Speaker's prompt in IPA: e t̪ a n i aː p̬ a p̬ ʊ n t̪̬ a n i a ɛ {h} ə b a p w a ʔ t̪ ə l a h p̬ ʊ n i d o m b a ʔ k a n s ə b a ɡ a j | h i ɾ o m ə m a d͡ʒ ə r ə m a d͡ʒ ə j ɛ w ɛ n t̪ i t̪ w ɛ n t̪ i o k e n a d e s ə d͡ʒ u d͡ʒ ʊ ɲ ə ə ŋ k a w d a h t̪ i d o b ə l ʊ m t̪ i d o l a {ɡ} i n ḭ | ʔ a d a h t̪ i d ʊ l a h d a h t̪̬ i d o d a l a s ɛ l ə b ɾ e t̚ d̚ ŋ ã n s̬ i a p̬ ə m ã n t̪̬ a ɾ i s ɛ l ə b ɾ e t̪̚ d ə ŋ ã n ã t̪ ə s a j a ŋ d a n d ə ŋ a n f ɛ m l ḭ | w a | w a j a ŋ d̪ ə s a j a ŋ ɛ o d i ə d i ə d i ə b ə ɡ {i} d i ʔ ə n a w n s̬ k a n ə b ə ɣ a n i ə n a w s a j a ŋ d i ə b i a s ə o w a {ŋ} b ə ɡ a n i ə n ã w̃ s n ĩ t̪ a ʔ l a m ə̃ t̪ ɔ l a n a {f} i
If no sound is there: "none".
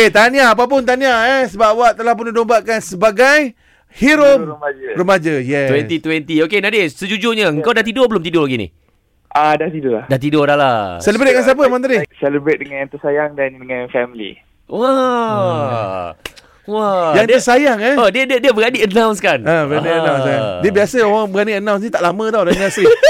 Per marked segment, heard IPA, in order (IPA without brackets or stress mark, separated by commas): s, ɡ, a, ŋ, s